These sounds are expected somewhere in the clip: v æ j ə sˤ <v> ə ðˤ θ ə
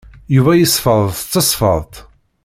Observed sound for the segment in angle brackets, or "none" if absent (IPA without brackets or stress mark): f